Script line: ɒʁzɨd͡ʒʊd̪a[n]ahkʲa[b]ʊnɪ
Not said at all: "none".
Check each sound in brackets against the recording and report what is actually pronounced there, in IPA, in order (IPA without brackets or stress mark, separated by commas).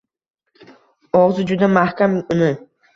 m, m